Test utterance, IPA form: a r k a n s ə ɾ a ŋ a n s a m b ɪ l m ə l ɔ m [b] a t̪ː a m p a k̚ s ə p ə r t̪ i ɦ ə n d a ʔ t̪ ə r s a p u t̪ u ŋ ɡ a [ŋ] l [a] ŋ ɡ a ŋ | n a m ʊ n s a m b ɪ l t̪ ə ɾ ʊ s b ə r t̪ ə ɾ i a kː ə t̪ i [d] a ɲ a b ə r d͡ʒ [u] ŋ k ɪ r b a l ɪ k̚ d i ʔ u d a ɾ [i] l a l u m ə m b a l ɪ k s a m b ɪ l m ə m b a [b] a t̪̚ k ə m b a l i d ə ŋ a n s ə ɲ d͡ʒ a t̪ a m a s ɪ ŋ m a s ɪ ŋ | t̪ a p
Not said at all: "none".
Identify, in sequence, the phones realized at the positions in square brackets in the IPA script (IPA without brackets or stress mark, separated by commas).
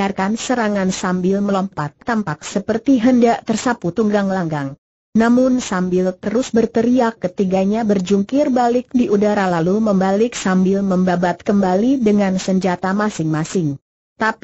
p, ŋ, a, ɡ, u, a, b